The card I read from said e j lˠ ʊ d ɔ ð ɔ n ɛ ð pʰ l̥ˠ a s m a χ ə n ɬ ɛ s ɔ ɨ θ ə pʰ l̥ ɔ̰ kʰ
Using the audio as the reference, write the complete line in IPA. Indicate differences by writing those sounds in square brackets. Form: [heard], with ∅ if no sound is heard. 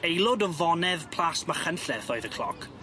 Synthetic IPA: e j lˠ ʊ d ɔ [v] ɔ n ɛ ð pʰ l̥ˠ a s m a χ ə n ɬ ɛ [θ] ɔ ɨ [ð] ə [kʰ] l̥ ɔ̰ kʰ